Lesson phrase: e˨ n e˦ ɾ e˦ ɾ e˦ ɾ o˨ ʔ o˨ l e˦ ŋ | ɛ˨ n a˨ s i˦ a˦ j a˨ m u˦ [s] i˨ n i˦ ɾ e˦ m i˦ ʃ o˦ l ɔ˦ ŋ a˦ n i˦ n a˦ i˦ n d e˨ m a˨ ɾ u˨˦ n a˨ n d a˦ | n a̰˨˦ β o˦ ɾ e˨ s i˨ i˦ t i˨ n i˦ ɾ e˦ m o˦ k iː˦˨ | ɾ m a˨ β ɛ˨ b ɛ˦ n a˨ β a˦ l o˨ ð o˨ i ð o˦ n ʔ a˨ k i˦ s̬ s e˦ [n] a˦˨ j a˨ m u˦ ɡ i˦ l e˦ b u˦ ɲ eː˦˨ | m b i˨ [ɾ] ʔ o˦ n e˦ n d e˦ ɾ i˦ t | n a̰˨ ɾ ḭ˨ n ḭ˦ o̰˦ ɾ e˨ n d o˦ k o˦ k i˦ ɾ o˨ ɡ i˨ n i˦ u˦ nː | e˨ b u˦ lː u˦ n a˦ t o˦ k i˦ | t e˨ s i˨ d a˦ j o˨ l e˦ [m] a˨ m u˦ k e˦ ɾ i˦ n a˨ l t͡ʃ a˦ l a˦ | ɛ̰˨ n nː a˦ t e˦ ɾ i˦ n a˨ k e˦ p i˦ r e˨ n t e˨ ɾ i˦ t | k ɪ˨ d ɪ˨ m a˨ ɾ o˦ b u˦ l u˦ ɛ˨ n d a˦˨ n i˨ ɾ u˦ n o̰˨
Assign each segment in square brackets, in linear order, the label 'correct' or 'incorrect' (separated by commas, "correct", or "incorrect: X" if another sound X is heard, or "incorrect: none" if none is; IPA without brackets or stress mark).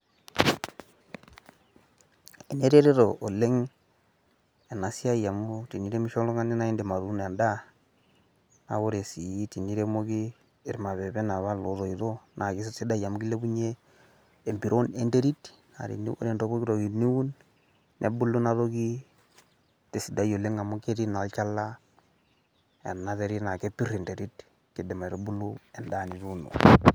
incorrect: t, incorrect: d, correct, incorrect: ŋ